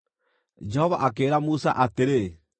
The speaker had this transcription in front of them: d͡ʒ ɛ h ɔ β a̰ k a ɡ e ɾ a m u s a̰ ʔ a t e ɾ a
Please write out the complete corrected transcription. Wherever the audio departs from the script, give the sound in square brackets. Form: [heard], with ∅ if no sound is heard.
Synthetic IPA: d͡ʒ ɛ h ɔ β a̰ [ʔ] a [k] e ɾ a m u s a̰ ʔ a t e ɾ [e]